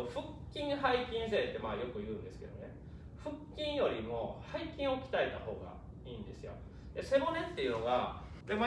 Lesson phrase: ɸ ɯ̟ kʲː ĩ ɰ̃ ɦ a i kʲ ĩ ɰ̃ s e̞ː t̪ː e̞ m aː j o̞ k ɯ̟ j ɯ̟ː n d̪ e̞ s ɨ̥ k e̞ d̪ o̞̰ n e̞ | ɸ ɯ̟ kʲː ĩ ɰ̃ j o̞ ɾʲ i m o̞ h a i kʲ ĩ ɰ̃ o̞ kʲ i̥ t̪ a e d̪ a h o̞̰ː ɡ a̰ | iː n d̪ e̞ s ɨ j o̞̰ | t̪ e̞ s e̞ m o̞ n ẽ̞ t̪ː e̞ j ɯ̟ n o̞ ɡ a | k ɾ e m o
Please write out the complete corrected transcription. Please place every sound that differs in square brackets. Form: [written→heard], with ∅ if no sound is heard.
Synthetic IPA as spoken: ɸ ɯ̟ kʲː ĩ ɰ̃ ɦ a i kʲ ĩ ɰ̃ s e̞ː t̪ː e̞ m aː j o̞ k ɯ̟ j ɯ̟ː n d̪ e̞ s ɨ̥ k e̞ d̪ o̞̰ n e̞ | ɸ ɯ̟ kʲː ĩ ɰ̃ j o̞ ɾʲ i m o̞ h a i kʲ ĩ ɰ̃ o̞ kʲ i̥ t̪ a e [d̪→t̪] a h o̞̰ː ɡ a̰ | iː n d̪ e̞ s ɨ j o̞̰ | [t̪→d̪] e̞ s e̞ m o̞ n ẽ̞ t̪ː e̞ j ɯ̟ n o̞ ɡ a | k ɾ e m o